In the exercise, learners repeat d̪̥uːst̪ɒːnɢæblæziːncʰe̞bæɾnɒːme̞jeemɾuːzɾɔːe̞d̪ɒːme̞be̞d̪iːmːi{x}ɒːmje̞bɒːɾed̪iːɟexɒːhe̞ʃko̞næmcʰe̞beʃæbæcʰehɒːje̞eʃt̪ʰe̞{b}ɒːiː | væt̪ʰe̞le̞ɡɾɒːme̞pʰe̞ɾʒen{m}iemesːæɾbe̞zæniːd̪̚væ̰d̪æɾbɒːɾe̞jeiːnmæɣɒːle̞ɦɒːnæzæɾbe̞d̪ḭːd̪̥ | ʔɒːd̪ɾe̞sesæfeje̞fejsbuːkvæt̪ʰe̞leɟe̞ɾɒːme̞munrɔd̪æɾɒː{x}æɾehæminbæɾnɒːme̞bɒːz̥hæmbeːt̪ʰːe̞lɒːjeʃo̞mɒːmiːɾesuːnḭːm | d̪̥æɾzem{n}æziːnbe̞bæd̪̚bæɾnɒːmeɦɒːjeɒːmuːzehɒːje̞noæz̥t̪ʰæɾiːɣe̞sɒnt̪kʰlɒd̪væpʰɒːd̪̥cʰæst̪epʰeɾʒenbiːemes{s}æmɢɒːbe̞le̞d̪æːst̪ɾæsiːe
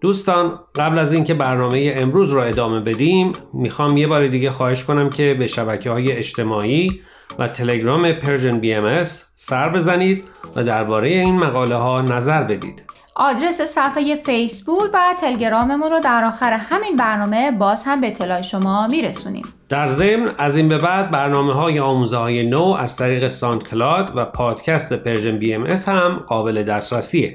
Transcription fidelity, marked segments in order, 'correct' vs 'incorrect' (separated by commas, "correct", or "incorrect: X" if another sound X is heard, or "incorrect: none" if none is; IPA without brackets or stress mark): correct, incorrect: m, incorrect: b, correct, correct, incorrect: h